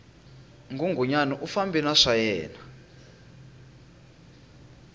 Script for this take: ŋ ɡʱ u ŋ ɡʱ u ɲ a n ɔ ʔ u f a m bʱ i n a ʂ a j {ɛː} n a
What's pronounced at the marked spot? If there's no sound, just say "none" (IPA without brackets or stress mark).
ɛː